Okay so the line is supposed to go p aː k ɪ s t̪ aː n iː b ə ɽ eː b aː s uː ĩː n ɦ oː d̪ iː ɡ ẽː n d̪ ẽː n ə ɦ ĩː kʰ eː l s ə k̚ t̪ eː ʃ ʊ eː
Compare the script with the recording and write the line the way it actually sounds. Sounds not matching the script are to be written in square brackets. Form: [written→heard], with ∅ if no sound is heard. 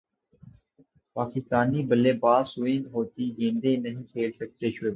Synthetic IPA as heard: p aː k ɪ s t̪ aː n iː b ə [ɽ→l] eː b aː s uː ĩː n ɦ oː [d̪→t̪] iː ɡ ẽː n d̪ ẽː n ə ɦ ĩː kʰ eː l s ə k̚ t̪ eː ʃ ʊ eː